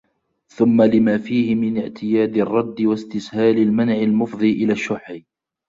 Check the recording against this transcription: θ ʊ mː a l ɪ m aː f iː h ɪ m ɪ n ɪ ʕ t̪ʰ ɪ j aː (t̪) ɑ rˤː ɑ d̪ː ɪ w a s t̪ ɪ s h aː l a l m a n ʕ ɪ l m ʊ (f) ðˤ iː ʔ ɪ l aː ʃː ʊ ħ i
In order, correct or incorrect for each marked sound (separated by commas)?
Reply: incorrect, correct